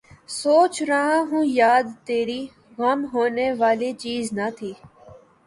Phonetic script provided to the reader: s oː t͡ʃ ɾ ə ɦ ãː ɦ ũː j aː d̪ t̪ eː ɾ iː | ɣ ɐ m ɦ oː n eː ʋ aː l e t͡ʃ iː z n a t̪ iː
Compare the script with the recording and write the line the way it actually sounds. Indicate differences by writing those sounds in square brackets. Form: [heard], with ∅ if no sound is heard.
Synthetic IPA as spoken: s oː t͡ʃ ɾ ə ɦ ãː ɦ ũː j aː d̪ t̪ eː ɾ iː | ɣ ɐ m ɦ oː n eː ʋ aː l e t͡ʃ iː z n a [t̪ʰ] iː